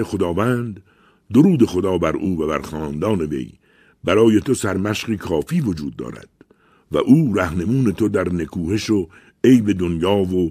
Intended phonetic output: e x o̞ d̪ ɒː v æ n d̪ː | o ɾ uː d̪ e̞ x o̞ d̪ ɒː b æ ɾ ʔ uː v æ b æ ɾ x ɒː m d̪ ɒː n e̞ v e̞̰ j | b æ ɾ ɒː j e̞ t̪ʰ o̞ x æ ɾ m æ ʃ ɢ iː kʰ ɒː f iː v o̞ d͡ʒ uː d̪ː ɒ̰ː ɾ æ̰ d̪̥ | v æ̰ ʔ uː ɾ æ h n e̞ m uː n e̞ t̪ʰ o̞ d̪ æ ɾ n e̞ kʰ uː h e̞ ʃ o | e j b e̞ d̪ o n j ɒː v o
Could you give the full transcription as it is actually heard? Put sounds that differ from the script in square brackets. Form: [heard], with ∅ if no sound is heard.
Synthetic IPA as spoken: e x o̞ d̪ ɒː v æ n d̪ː | o ɾ uː d̪ e̞ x o̞ d̪ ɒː b æ ɾ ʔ uː v æ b æ ɾ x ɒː [n] d̪ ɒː n e̞ v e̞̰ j | b æ ɾ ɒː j e̞ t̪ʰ o̞ [s] æ ɾ m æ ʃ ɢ iː kʰ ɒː f iː v o̞ d͡ʒ uː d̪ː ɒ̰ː ɾ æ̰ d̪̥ | v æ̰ ʔ uː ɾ æ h n e̞ m uː n e̞ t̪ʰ o̞ d̪ æ ɾ n e̞ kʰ uː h e̞ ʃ o | e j b e̞ d̪ o n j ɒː v o